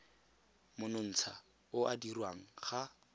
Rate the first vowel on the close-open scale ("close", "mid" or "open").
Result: close